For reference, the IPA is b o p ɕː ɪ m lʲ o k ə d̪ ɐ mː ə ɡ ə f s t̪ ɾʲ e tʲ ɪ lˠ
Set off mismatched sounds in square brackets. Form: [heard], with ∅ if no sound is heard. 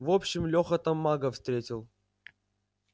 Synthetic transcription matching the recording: [v] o p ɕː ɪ m lʲ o [x] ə [t̪] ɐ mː [a] ɡ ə f s t̪ ɾʲ e tʲ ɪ lˠ